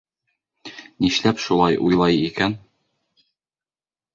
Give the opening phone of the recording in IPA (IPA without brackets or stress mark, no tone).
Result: n